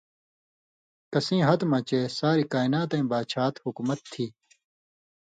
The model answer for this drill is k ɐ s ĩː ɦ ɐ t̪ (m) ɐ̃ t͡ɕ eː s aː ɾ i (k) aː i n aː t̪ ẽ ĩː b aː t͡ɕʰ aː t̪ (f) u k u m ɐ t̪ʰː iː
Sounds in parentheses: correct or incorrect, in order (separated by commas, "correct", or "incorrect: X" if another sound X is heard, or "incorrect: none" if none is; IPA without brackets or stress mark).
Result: correct, correct, incorrect: h